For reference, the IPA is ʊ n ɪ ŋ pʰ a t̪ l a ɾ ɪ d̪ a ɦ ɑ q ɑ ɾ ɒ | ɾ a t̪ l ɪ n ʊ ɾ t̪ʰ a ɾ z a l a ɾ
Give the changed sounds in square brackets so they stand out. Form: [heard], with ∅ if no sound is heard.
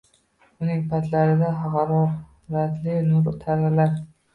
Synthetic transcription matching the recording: ʊ n ɪ ŋ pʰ a t̪ l a ɾ ɪ d̪ a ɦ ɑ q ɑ ɾ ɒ | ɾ a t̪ l ɪ n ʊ ɾ t̪ʰ a ɾ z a l a ɾ